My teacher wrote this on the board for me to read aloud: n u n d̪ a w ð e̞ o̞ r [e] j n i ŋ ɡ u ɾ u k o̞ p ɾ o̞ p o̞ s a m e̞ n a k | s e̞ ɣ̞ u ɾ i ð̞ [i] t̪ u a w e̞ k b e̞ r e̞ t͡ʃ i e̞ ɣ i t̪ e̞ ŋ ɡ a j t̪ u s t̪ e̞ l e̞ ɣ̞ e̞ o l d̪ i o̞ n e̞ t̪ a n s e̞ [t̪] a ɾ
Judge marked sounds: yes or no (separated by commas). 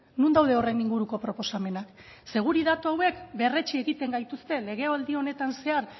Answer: yes, no, no